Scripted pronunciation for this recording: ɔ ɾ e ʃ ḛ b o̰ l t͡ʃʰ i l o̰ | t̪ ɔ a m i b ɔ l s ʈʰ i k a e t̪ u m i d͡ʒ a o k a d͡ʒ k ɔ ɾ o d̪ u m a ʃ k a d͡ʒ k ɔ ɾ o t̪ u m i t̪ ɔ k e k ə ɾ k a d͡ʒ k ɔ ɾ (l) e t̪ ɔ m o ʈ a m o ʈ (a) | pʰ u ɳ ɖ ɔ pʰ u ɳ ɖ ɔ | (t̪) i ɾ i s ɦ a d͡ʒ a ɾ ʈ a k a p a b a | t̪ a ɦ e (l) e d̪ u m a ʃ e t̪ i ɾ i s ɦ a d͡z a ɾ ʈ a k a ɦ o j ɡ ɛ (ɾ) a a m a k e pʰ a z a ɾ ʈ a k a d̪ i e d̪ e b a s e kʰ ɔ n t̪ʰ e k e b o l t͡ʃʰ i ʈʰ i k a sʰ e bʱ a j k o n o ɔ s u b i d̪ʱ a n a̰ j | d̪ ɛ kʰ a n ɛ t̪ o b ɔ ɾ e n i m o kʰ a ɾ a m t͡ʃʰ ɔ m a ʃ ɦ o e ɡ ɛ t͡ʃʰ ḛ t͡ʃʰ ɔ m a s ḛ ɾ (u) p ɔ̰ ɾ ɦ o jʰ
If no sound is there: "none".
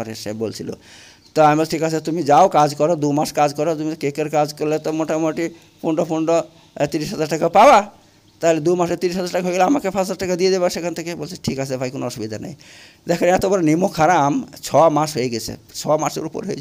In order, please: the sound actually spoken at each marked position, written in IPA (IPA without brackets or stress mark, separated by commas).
l, i, t̪, l, l, u